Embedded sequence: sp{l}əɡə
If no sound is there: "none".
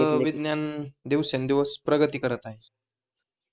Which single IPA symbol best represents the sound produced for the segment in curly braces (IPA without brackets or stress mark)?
ɾ